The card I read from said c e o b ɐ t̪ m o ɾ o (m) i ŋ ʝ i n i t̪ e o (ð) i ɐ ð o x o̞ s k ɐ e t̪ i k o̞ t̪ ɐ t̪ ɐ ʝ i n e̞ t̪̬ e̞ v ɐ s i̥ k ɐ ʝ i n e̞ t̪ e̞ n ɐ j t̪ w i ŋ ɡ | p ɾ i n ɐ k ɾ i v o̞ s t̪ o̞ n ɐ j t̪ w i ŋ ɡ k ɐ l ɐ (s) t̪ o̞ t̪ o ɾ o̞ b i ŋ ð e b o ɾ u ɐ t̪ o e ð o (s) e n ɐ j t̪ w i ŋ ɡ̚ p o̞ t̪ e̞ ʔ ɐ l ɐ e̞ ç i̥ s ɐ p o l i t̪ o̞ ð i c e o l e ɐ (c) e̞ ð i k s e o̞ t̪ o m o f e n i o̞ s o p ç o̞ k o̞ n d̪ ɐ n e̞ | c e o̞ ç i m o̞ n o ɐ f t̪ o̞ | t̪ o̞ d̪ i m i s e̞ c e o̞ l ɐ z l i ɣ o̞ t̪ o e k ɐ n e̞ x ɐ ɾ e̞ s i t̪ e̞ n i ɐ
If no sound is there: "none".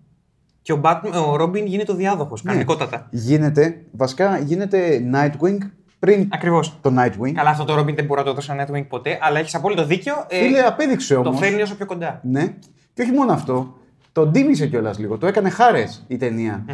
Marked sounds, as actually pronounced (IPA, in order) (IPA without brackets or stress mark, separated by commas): b, ð, f, s, p